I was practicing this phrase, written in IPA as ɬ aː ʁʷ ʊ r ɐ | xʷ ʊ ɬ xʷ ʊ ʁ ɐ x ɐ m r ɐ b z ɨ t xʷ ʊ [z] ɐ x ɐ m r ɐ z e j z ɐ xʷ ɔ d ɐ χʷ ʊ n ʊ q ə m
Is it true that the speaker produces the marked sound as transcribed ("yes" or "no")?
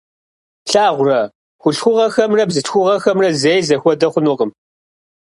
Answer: no